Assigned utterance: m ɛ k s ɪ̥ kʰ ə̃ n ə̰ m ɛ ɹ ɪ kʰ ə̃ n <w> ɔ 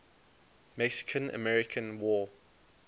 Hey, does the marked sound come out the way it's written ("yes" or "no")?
yes